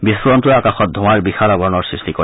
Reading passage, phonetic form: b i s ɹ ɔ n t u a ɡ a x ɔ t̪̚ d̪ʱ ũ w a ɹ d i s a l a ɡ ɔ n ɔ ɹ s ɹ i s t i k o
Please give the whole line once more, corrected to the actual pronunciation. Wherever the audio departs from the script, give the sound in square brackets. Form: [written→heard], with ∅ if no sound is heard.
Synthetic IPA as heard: b i s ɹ ɔ n t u a [ɡ→k] a x ɔ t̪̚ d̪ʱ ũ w a ɹ [d→b] i [s→x] a l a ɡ ɔ n ɔ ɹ s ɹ i s t i k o